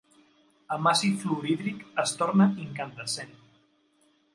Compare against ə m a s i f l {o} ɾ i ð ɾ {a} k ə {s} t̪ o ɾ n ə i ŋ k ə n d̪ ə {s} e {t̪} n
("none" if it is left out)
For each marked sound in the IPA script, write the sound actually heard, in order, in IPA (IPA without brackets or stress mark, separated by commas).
u, i, s, s, none